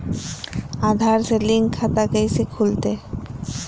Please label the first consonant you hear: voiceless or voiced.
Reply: voiced